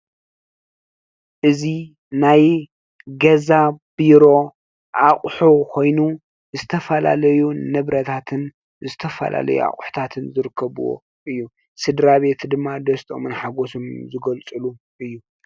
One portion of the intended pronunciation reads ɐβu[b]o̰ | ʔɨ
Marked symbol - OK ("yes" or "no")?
no